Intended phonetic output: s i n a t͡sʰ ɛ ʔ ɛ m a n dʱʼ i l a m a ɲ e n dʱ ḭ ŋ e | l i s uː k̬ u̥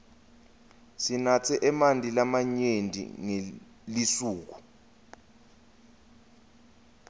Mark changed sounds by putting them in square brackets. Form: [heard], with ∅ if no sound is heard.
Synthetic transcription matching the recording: s i n a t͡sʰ ɛ ʔ ɛ m a n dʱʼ i l a m a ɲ e n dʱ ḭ ŋ e | l i s uː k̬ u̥